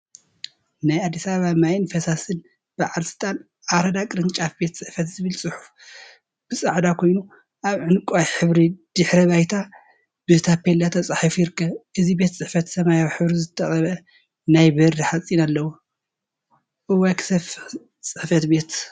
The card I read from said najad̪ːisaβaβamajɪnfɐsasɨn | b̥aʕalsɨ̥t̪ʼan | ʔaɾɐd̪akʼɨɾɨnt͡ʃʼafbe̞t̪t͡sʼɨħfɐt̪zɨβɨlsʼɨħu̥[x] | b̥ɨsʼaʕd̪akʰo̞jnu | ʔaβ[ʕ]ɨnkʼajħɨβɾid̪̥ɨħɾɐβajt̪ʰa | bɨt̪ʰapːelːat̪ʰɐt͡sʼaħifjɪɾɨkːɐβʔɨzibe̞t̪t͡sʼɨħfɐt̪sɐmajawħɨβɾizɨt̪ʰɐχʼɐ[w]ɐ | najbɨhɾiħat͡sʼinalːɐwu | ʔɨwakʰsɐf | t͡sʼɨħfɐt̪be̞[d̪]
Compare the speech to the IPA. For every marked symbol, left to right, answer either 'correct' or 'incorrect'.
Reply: incorrect: f, correct, incorrect: β, incorrect: t̪

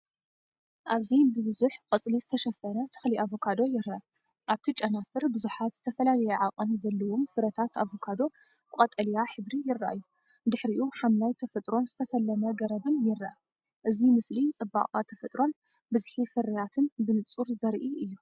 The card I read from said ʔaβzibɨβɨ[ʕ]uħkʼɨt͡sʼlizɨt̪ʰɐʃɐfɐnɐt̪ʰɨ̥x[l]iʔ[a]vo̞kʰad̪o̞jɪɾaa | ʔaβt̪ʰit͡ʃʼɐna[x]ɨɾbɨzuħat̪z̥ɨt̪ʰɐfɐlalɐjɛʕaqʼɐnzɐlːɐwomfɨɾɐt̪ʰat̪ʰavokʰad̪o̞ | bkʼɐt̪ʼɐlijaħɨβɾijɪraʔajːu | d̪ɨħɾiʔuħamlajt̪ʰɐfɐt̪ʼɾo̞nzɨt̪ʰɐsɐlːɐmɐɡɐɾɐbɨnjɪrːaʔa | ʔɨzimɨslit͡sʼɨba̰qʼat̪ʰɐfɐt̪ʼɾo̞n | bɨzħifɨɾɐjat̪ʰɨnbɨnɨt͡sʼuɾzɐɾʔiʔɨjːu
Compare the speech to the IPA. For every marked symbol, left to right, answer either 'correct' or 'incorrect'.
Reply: incorrect: z, correct, correct, incorrect: f

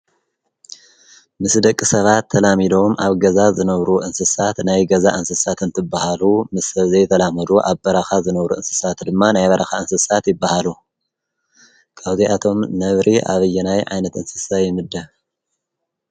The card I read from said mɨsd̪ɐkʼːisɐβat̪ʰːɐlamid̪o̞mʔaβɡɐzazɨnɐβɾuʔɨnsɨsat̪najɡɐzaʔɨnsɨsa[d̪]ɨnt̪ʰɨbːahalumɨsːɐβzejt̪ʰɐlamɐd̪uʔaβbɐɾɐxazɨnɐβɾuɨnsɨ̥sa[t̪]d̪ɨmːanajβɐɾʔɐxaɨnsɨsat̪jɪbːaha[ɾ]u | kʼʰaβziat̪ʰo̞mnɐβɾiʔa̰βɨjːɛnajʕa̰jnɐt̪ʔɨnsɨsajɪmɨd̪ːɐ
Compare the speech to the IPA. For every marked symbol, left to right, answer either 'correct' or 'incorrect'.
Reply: incorrect: t̪, correct, incorrect: l

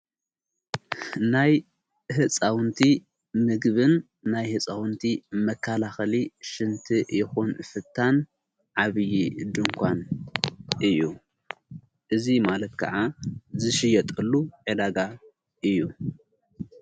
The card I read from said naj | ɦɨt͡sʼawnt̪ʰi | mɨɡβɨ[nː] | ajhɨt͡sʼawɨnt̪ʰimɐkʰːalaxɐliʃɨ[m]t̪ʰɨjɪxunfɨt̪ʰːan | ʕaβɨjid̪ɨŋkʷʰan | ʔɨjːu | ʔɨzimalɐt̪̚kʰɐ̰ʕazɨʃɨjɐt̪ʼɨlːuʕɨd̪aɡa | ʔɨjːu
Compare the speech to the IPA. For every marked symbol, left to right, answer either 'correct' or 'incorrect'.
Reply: correct, incorrect: n

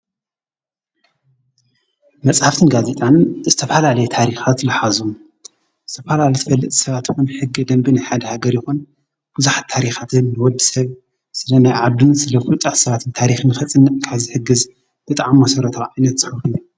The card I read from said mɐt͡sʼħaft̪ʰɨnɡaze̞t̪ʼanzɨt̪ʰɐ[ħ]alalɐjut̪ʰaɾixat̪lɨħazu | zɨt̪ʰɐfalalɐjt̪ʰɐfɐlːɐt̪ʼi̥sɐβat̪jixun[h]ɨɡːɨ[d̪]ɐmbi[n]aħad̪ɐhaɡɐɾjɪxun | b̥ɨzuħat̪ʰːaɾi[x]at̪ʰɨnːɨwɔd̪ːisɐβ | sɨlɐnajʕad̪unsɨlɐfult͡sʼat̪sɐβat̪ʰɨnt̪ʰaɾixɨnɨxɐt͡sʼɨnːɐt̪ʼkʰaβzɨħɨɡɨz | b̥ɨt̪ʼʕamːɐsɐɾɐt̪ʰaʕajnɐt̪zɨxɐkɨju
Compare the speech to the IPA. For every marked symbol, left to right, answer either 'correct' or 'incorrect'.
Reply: incorrect: f, incorrect: ħ, correct, correct, correct

